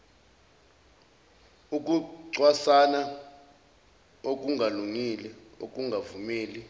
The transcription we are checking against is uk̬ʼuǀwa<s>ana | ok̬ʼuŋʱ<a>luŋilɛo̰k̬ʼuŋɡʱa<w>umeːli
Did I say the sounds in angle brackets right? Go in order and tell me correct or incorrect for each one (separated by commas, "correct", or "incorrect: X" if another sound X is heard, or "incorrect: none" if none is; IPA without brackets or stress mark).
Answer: correct, correct, incorrect: v